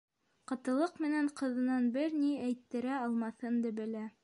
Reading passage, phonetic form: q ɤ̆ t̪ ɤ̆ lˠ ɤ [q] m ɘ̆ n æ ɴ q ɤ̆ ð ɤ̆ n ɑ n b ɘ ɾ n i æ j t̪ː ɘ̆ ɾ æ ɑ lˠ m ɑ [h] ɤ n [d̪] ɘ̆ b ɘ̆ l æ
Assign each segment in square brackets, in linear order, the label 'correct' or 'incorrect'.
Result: correct, incorrect, correct

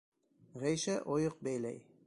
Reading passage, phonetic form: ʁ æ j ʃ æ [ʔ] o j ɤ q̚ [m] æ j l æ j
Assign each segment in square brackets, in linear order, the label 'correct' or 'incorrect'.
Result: correct, incorrect

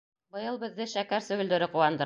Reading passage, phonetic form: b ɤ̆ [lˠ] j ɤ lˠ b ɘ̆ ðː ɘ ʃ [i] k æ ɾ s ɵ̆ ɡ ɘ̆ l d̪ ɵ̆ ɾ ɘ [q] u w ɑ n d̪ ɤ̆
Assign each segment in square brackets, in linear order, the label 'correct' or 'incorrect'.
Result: incorrect, incorrect, correct

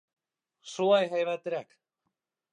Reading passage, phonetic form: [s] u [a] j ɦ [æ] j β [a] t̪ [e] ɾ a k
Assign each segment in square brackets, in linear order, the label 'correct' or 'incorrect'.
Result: correct, correct, incorrect, correct, correct

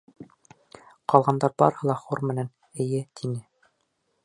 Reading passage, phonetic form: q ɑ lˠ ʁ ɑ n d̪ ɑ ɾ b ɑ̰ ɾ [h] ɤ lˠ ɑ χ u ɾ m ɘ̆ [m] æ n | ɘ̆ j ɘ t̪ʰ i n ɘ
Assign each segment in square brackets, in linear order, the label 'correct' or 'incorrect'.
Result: correct, incorrect

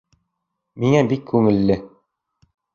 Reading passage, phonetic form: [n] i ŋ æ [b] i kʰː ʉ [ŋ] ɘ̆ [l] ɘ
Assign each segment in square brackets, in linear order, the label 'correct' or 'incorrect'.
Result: incorrect, correct, correct, incorrect

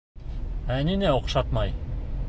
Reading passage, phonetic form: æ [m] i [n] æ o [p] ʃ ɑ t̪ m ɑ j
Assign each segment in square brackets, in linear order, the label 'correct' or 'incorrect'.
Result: incorrect, correct, incorrect

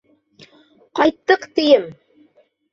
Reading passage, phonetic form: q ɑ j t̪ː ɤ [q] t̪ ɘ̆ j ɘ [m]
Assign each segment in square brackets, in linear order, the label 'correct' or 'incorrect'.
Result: correct, correct

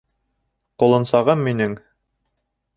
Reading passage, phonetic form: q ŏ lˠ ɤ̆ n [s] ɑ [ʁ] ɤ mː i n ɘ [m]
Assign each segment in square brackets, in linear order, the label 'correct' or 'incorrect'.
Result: correct, correct, incorrect

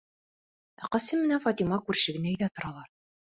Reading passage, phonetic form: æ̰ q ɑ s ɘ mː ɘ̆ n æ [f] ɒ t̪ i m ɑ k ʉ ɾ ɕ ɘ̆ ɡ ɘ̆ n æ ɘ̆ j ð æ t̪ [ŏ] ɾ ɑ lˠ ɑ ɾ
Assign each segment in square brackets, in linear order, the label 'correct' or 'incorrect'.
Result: correct, correct

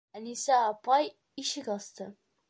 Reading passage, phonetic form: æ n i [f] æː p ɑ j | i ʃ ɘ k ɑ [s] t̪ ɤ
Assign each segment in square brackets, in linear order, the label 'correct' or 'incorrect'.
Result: incorrect, correct

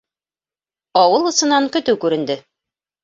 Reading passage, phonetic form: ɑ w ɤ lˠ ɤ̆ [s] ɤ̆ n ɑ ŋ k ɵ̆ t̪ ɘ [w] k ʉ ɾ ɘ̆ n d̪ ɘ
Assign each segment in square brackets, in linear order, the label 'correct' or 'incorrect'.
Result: correct, correct

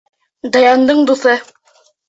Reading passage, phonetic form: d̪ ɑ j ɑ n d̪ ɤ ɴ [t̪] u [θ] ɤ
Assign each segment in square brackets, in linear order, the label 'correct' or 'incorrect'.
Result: incorrect, correct

